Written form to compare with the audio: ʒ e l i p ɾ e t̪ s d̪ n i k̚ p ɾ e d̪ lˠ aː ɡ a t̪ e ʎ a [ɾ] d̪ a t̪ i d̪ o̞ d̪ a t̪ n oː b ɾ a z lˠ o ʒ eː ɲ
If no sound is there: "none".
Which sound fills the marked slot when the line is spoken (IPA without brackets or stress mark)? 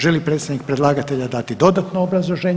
none